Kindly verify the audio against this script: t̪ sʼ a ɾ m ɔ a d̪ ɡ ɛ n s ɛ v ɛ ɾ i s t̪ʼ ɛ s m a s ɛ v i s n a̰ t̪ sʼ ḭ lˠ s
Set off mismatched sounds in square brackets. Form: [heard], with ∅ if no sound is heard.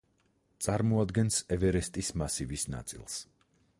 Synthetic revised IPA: t̪ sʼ a ɾ m ɔ a d̪ ɡ ɛ n s ɛ v ɛ ɾ [ɛ] s t̪ʼ [i] s m a s [i] v i s n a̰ t̪ sʼ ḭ lˠ s

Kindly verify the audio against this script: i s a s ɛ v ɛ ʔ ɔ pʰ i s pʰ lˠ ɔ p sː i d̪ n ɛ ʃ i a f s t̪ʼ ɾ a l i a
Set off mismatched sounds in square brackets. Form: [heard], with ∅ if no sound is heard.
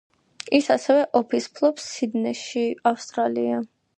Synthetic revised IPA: i s a s ɛ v ɛ ʔ ɔ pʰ i s pʰ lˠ ɔ p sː i d̪ n ɛ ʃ i a f s t̪ʼ ɾ a l i a

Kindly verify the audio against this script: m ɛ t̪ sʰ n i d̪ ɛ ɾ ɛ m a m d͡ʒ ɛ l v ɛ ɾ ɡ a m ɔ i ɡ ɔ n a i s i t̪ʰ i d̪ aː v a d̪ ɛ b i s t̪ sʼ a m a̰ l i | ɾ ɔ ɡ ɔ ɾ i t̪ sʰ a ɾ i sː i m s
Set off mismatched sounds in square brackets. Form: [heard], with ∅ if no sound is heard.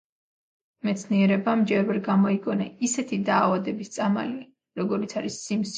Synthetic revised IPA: m ɛ t̪ sʰ n i [∅] ɛ ɾ ɛ [b] a m d͡ʒ ɛ [ɾ] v ɛ ɾ ɡ a m ɔ i ɡ ɔ n a i s [ɛ] t̪ʰ i d̪ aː v a d̪ ɛ b i s t̪ sʼ a m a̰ l i | ɾ ɔ ɡ ɔ ɾ i t̪ sʰ a ɾ i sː i m s

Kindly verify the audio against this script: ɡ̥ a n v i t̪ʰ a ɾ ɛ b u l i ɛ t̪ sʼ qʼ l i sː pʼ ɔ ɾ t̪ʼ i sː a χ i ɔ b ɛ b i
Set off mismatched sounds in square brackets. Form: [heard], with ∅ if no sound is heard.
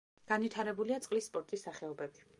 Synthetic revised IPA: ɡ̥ a n v i t̪ʰ a ɾ ɛ b u l i [a] t̪ sʼ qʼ l i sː pʼ ɔ ɾ t̪ʼ i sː a χ [ɛ] ɔ b ɛ b i

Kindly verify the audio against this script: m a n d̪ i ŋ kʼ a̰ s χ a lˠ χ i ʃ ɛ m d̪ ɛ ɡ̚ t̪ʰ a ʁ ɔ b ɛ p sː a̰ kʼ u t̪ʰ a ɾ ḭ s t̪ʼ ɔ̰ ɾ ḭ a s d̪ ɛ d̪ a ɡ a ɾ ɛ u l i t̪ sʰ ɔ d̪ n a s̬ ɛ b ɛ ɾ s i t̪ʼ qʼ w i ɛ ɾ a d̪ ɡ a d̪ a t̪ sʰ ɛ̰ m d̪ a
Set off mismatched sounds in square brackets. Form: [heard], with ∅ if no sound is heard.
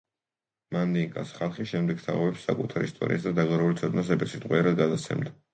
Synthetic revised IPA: m a n d̪ i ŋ kʼ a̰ s χ a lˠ χ i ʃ ɛ m d̪ ɛ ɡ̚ t̪ʰ a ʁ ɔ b ɛ p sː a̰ kʼ u t̪ʰ a ɾ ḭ s t̪ʼ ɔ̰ ɾ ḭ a s d̪ [a] d̪ a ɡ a ɾ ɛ u l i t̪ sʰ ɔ d̪ n a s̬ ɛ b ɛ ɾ s i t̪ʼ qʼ w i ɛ ɾ a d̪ ɡ a d̪ a t̪ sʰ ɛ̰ m d̪ a

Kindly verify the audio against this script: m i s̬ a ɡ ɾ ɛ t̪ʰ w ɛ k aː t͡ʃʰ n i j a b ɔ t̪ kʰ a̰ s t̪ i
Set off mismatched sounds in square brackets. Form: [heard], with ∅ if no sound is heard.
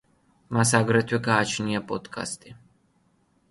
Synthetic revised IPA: m [a] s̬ a ɡ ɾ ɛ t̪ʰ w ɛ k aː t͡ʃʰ n i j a [p] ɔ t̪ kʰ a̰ s t̪ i

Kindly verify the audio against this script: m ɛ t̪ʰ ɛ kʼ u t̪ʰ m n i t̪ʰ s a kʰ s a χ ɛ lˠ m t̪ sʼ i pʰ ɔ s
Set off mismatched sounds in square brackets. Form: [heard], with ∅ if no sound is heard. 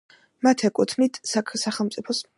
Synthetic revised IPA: m [a] t̪ʰ ɛ kʼ u t̪ʰ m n i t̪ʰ s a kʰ s a χ ɛ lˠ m t̪ sʼ i pʰ ɔ s

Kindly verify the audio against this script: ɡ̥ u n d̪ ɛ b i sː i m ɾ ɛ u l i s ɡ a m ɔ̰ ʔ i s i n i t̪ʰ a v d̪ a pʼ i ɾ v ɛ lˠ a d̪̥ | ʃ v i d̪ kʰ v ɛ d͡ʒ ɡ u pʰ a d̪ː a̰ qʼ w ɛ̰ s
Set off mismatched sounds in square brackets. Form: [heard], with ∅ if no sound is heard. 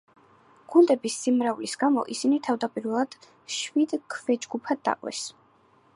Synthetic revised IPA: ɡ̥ u n d̪ ɛ b i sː i m ɾ [a] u l i s ɡ a m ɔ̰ ʔ i s i n i t̪ʰ a v d̪ a pʼ i ɾ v ɛ lˠ a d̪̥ | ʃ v i d̪ kʰ v ɛ d͡ʒ ɡ u pʰ a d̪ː a̰ qʼ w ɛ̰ s

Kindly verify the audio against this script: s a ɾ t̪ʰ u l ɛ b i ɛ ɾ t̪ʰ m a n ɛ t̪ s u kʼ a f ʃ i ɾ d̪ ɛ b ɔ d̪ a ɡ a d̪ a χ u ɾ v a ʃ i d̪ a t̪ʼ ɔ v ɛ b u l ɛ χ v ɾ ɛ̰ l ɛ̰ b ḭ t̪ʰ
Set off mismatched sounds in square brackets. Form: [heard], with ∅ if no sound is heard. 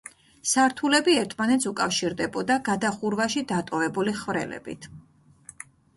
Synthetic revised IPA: s a ɾ t̪ʰ u l ɛ b i ɛ ɾ t̪ʰ m a n ɛ t̪ s u kʼ a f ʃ i ɾ d̪ ɛ b ɔ d̪ a ɡ a d̪ a χ u ɾ v a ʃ i d̪ a t̪ʼ ɔ v ɛ b u l [i] χ v ɾ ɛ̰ l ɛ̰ b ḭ t̪ʰ

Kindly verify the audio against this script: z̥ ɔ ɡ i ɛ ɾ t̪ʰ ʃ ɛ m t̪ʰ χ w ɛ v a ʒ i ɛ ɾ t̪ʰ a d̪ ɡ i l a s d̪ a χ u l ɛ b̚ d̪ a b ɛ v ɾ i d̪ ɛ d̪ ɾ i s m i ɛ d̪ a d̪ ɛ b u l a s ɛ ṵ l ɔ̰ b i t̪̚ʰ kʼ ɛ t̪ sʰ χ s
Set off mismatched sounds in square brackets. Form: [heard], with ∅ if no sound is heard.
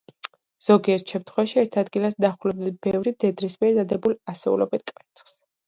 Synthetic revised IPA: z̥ ɔ ɡ i ɛ ɾ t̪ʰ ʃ ɛ m t̪ʰ χ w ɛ v a [ʃ] i ɛ ɾ t̪ʰ a d̪ ɡ i l a s d̪ a χ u l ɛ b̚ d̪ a b ɛ v ɾ i d̪ ɛ d̪ ɾ i s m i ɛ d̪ a d̪ ɛ b u l a s ɛ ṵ l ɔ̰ b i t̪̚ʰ kʼ ɛ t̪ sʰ χ s

